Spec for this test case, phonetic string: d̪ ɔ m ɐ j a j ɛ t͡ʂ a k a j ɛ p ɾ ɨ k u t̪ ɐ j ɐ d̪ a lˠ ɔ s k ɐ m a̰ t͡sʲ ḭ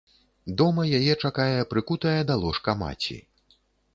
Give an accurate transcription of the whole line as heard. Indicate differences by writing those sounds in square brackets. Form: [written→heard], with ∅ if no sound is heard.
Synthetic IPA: d̪ ɔ m ɐ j a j ɛ t͡ʂ a k a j ɛ p ɾ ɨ k u t̪ ɐ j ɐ d̪ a lˠ ɔ [s→ʂ] k ɐ m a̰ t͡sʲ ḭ